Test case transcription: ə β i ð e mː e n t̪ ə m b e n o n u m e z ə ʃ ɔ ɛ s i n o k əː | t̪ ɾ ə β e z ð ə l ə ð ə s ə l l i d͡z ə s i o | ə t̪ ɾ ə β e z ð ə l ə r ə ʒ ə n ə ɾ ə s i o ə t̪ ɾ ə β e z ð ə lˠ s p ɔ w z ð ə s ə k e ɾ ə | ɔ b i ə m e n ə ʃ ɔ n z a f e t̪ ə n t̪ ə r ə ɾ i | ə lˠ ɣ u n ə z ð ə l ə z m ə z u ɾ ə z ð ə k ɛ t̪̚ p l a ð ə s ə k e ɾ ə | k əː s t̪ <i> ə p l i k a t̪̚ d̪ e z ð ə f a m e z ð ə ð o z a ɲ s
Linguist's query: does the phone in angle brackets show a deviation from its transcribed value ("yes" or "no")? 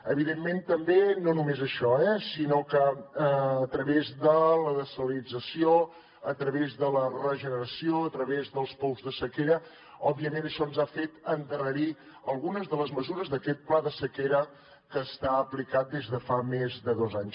yes